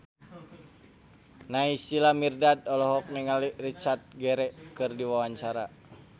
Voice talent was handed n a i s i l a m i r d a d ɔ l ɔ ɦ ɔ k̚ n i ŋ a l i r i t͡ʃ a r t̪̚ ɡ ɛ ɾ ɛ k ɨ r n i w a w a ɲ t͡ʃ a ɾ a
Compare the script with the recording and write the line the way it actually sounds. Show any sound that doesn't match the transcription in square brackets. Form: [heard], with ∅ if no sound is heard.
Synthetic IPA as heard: n a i s i l a m i r d a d ɔ l ɔ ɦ ɔ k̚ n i ŋ a l i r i t͡ʃ a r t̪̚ ɡ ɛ ɾ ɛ k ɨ r [d] i w a w a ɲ t͡ʃ a ɾ a